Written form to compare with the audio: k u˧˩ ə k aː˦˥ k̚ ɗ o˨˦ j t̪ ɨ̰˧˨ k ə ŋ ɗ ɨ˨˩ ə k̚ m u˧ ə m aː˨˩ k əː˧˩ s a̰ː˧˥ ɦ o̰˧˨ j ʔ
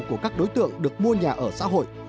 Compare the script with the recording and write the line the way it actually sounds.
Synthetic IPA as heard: k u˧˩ ə k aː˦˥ k̚ ɗ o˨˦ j t̪ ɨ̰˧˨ ə ŋ ɗ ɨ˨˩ ə k̚ m u˧ ə ɲ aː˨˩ ʔ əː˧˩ s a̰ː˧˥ ɦ o̰˧˨ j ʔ